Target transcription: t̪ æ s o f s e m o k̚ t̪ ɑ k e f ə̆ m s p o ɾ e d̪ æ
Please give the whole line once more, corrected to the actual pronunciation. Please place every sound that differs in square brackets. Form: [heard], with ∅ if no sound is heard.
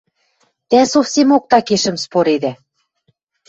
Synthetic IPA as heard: t̪ æ s o f s e m o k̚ t̪ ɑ k e [ʃ] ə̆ m s p o ɾ e d̪ æ